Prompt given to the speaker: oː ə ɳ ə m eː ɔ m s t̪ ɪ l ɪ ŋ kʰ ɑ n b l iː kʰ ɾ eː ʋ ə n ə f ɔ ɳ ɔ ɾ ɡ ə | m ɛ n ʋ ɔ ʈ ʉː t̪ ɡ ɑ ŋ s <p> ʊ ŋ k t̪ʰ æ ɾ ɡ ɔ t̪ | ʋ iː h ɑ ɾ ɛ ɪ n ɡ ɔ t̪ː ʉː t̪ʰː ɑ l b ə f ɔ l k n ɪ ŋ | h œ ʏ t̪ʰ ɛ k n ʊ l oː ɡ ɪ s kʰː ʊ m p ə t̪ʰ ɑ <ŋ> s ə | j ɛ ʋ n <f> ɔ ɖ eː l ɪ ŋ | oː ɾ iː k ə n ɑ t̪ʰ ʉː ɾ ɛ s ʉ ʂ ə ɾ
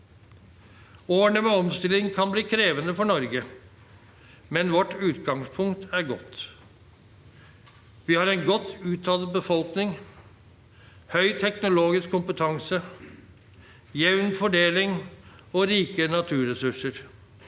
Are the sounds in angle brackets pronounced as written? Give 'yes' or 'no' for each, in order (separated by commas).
no, yes, yes